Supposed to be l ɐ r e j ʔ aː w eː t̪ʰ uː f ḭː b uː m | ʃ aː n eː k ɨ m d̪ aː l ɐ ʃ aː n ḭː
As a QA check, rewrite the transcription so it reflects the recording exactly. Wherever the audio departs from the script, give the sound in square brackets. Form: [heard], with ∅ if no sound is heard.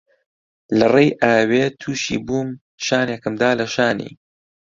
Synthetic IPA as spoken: l ɐ r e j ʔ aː w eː t̪ʰ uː [ʃ] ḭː b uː m | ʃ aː n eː k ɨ m d̪ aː l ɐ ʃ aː n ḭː